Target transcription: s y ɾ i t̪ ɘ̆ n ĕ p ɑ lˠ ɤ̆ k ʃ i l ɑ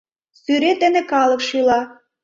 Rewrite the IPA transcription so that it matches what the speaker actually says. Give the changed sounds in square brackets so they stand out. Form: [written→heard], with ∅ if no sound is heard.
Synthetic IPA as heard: s y ɾ [i→e] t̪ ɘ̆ n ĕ [p→k] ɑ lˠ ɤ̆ k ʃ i l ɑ